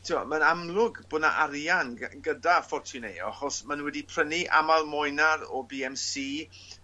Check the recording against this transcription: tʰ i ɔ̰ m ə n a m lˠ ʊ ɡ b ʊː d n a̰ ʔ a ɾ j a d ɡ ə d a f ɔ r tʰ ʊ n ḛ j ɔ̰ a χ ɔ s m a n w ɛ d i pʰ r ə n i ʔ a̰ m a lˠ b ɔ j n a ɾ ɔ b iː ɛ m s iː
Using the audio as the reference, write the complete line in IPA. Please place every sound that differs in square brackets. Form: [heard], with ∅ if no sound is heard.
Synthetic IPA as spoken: tʰ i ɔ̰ m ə n a m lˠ ʊ ɡ b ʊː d n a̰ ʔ a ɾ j a [n] ɡ ə d a f ɔ r tʰ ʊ n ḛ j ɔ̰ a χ ɔ s m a n w ɛ d i pʰ r ə n i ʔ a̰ m a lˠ [m] ɔ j n a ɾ ɔ b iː ɛ m s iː